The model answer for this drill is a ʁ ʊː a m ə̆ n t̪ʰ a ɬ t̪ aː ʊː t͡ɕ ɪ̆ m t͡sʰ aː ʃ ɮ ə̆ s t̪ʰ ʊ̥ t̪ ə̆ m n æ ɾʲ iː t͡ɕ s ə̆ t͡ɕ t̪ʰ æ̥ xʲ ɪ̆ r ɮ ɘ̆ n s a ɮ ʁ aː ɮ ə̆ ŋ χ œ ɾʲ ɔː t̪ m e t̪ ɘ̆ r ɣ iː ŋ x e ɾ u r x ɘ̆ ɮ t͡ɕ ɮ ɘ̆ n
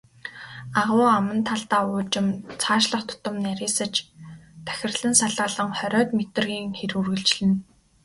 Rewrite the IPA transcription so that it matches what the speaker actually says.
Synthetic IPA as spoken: a ʁ ʊː a m ə̆ n t̪ʰ a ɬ t̪ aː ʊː t͡ɕ ɪ̆ m t͡sʰ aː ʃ ɮ ə̆ χ t̪ʰ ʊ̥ t̪ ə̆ m n æ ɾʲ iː s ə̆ t͡ɕ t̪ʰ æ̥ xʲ ɪ̆ r ɮ ɘ̆ n s a ɮ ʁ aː ɮ ə̆ ŋ χ œ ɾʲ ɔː t̪ m e t̪ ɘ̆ r ɣ iː ŋ x e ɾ u r ɣ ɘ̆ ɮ t͡ɕ ɮ ɘ̆ n

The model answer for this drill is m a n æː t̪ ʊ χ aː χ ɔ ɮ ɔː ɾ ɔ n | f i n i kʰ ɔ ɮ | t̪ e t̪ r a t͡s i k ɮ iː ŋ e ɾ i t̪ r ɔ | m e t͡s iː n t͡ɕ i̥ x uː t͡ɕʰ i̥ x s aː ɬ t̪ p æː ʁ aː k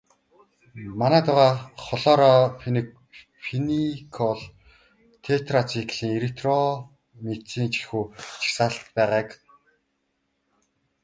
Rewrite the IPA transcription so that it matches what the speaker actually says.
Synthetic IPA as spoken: m a n æː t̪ ʊ ʁ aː χ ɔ ɮ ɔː ɾ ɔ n | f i n i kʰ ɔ ɮ | t̪ʰ e t̪ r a t͡s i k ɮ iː ŋ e ɾ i t̪ r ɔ | m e t͡s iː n t͡ɕ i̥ x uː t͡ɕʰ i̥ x s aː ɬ t̪ p æː ʁ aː k

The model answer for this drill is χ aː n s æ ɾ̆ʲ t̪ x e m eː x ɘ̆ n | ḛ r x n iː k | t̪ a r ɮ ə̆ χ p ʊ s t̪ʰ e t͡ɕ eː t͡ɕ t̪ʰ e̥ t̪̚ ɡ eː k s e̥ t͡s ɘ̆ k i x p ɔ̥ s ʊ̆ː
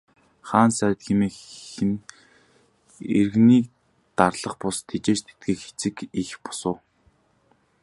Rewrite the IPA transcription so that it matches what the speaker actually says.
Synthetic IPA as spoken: χ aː n s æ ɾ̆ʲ t̪ x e m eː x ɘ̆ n | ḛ r ɣ n iː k | t̪ a r ɮ ə̆ χ p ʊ s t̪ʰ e t͡ɕ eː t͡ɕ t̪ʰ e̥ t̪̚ ɡ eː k x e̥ t͡s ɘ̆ k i x p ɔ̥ s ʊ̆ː

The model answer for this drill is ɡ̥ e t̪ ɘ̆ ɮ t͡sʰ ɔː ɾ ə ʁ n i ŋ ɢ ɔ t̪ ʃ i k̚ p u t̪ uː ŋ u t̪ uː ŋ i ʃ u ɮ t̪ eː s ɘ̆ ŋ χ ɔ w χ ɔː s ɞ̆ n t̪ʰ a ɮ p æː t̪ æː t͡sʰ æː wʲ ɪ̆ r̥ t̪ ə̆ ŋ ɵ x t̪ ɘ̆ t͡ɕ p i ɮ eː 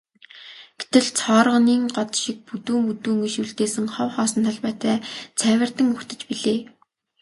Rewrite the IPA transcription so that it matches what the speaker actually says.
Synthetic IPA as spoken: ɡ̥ e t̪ ɘ̆ ɮ t͡sʰ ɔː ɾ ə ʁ n iː ŋ ɢ ɔ t̪ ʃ i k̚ p u t̪ uː ŋ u t̪ uː ŋ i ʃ u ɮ t̪ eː s ɘ̆ ŋ χ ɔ w χ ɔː s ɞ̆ n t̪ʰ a ɮ p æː t̪ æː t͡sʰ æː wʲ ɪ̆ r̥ t̪ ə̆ ŋ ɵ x t̪ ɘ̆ t͡ɕ p i ɮ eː

